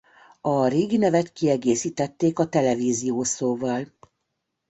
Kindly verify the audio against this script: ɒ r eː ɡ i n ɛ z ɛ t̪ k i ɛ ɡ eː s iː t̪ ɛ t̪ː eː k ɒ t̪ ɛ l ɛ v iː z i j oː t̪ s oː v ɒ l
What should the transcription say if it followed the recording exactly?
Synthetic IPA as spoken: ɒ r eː ɡ i n ɛ v ɛ t̪ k i ɛ ɡ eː s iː t̪ ɛ t̪ː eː k ɒ t̪ ɛ l ɛ v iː z i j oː s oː v ɒ l